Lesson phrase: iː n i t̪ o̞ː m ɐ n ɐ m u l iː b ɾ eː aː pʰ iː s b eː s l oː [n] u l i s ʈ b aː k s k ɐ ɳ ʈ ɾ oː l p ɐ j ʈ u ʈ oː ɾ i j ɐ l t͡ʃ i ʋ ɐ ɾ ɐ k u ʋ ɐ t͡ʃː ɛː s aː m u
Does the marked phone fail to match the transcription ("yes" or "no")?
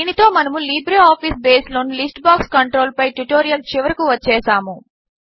no